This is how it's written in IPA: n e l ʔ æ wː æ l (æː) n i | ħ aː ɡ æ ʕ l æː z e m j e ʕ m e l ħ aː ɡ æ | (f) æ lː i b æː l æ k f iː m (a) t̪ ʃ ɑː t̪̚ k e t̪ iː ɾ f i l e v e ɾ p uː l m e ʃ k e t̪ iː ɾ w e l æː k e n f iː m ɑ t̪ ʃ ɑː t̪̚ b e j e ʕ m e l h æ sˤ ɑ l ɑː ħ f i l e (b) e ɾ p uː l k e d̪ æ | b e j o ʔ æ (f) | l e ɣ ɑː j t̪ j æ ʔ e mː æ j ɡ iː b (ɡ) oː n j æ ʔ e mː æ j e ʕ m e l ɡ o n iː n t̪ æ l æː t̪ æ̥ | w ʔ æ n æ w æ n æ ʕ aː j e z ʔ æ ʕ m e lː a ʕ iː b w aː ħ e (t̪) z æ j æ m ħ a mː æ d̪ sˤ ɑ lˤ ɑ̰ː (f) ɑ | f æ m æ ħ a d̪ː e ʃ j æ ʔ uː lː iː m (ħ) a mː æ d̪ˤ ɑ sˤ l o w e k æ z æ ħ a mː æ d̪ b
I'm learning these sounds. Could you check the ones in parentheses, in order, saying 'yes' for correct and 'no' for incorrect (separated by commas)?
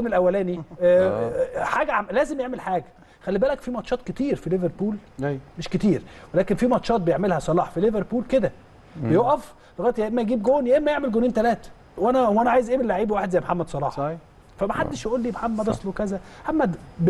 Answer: yes, no, no, no, yes, yes, no, no, yes